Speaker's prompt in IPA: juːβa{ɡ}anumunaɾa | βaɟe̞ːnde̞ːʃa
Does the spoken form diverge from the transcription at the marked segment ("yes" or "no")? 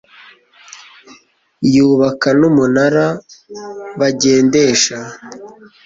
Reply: yes